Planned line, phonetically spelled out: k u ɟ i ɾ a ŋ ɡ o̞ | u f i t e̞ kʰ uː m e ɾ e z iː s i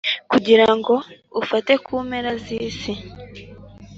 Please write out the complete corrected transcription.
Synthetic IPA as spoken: k u ɟ i ɾ a ŋ ɡ o̞ | u f a t e̞ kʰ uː m e ɾ a z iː s i